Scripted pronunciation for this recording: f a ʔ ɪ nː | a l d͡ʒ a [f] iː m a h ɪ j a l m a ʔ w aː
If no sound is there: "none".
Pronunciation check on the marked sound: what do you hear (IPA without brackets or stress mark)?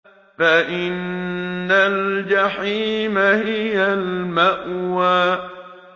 ħ